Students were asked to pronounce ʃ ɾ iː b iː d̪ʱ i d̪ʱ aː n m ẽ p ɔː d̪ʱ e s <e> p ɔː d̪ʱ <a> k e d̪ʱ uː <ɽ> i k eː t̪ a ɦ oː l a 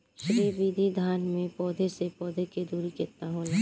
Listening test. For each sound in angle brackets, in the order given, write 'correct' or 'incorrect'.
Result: correct, incorrect: e, incorrect: ɾ

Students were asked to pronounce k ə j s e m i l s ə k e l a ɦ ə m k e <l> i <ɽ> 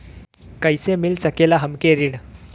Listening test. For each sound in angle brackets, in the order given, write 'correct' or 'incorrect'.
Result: incorrect: ɾ, correct

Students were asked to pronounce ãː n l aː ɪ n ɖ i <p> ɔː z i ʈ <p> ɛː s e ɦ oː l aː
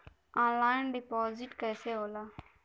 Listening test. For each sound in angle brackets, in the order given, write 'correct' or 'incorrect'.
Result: correct, incorrect: k

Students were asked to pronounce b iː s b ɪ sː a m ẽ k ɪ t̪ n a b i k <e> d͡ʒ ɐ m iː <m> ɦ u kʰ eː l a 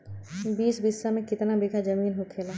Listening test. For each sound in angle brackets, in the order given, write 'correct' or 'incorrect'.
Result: incorrect: a, incorrect: n

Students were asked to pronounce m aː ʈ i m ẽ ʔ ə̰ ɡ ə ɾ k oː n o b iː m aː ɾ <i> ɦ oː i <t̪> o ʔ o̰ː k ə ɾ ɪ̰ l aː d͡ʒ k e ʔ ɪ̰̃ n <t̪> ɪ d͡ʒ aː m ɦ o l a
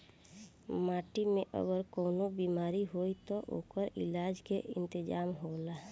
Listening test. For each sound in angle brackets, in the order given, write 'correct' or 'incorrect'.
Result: correct, correct, correct

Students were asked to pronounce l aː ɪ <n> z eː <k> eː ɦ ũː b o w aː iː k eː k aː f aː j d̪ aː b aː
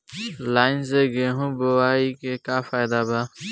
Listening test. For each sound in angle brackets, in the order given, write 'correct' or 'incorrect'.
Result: correct, incorrect: ɡ

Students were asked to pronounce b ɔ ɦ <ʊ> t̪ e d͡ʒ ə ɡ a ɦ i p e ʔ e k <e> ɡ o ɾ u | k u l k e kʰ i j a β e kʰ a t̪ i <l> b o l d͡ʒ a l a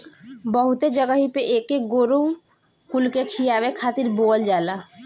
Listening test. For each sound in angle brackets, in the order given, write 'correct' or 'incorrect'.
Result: incorrect: u, correct, incorrect: ɾ

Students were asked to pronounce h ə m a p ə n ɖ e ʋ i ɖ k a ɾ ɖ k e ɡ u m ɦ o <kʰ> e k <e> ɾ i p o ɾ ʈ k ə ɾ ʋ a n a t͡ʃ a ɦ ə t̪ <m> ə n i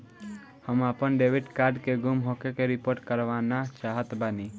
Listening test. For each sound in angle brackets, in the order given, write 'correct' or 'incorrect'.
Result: incorrect: k, correct, incorrect: b

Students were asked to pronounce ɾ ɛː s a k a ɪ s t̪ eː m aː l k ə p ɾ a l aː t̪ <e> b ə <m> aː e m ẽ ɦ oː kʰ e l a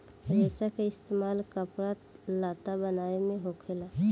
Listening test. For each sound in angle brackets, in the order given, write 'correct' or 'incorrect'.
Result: incorrect: a, incorrect: n

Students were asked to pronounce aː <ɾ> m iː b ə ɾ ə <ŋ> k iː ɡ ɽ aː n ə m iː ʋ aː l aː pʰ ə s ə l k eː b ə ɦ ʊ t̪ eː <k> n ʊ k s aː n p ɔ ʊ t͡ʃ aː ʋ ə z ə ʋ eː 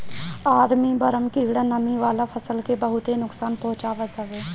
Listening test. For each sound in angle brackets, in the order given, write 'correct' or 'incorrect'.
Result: correct, incorrect: m, incorrect: none

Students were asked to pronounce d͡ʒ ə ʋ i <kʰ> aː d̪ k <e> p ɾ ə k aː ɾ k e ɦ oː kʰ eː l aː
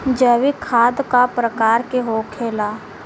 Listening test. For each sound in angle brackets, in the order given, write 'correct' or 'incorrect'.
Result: correct, incorrect: a

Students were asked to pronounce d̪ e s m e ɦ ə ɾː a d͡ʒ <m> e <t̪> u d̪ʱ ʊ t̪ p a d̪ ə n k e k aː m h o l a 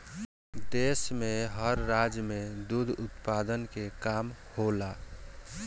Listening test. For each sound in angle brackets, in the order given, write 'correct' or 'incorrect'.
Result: correct, incorrect: d̪

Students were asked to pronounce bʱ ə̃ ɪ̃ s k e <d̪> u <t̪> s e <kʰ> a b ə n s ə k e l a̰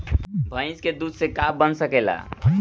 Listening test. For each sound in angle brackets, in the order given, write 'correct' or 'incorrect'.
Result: correct, incorrect: d̪, incorrect: k

